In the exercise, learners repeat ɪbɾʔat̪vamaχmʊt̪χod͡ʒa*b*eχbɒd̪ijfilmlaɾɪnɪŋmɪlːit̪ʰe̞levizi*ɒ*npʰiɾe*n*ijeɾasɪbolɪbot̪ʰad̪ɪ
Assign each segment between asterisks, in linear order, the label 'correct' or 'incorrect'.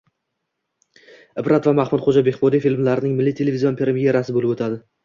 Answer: correct, incorrect, incorrect

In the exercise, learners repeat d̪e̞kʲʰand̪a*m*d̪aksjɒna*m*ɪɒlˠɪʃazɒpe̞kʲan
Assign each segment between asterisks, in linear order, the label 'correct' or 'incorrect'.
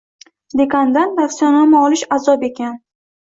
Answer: incorrect, correct

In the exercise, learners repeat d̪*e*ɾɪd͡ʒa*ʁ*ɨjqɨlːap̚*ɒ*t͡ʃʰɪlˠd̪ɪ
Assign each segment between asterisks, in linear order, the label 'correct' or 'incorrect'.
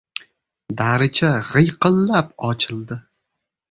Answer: incorrect, correct, correct

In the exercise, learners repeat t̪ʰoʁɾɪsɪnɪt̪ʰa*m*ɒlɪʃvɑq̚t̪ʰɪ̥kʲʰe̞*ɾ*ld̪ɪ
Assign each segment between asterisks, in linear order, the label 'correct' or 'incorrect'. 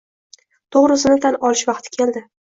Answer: incorrect, incorrect

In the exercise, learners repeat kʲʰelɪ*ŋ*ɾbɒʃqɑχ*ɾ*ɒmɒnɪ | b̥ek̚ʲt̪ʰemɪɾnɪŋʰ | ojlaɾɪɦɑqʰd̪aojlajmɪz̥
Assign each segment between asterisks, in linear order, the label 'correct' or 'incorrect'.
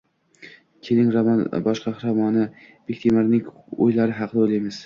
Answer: correct, correct

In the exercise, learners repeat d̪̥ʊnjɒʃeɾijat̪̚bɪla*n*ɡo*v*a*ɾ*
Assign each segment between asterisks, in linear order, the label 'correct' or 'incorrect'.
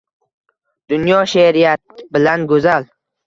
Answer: correct, incorrect, incorrect

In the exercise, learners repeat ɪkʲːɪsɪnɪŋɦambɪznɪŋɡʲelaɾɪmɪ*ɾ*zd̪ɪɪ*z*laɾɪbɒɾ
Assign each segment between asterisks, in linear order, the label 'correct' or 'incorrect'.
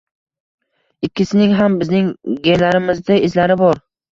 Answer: incorrect, correct

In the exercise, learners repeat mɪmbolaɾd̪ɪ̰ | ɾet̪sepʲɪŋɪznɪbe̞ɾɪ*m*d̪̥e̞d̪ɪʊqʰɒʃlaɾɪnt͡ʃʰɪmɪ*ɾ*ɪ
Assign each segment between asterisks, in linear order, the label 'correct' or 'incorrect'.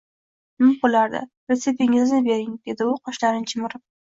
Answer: incorrect, correct

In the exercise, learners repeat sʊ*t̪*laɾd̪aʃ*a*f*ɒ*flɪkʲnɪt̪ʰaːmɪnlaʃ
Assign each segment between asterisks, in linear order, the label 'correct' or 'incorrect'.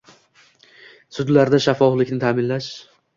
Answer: incorrect, correct, correct

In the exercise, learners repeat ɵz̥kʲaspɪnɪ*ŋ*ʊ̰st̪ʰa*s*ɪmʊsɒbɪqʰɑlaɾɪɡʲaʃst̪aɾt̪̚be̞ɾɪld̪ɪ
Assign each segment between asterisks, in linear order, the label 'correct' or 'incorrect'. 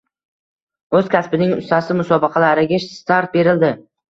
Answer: correct, correct

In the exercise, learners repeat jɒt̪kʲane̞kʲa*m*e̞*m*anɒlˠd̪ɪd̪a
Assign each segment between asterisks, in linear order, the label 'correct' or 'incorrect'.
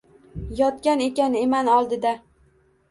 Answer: incorrect, correct

